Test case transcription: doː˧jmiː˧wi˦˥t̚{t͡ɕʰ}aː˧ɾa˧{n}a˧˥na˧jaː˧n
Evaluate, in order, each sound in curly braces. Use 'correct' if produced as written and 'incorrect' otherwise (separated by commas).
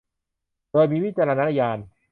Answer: incorrect, correct